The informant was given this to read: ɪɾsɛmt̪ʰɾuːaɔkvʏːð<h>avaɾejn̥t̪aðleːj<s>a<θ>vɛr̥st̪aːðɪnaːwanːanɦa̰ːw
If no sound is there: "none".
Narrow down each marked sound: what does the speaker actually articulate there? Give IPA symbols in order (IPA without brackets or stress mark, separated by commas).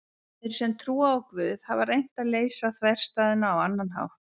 h, s, θ